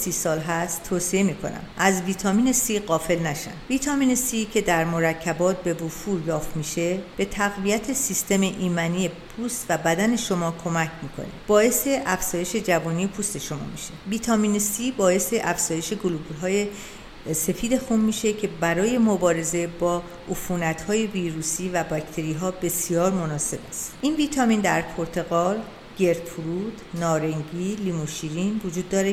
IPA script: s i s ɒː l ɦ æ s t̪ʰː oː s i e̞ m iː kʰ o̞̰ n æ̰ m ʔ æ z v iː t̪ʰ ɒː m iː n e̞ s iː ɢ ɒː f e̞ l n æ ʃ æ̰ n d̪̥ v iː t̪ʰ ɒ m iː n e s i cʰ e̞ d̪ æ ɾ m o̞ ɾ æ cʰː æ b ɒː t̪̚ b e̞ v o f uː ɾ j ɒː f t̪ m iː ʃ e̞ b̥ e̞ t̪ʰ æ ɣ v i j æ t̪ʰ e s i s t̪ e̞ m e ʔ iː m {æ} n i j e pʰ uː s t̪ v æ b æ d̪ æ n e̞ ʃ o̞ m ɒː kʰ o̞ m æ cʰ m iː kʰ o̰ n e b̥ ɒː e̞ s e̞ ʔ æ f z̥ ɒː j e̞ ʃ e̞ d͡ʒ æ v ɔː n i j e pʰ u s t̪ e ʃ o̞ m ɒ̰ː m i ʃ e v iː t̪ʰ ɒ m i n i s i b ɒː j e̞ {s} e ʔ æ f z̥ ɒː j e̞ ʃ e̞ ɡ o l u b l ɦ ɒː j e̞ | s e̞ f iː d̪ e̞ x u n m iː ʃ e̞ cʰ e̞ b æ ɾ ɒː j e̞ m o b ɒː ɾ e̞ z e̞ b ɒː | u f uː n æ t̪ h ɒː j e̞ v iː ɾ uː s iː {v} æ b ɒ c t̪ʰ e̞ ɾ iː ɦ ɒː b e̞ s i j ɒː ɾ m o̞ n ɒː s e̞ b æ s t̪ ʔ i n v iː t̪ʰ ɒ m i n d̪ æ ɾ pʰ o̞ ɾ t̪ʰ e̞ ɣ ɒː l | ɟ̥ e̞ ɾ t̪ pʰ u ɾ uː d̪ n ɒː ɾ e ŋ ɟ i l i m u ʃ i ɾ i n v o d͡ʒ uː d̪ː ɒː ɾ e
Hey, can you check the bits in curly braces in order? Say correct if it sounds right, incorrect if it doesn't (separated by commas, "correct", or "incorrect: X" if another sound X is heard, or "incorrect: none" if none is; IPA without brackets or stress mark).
correct, correct, correct